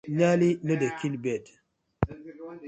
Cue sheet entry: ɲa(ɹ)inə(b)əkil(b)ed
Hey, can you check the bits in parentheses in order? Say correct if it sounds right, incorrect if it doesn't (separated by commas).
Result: incorrect, incorrect, correct